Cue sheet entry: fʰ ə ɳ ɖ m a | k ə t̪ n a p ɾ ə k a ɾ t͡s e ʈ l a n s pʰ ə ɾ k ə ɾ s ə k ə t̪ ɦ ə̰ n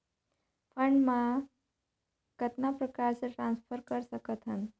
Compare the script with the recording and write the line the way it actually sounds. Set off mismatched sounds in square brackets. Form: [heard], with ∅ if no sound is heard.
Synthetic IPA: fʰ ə ɳ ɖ m a | k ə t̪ n a p ɾ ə k a ɾ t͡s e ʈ [ɾ] a n s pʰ ə ɾ k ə ɾ s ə k ə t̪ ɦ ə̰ n